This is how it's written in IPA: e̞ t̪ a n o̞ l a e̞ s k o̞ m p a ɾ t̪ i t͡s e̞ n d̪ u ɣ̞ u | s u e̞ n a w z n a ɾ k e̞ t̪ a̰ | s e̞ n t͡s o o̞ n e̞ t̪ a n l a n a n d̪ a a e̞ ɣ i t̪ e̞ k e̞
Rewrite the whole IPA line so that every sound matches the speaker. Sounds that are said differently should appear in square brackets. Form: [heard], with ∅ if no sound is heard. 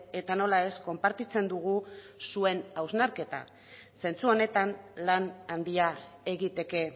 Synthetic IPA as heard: e̞ t̪ a n o̞ l a e̞ s k o̞ m p a ɾ t̪ i t͡s e̞ n d̪ u ɣ̞ u | s u e̞ n a w z n a ɾ k e̞ t̪ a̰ | s e̞ n t͡s [u] o̞ n e̞ t̪ a n l a n a n d̪ [i] a e̞ ɣ i t̪ e̞ k e̞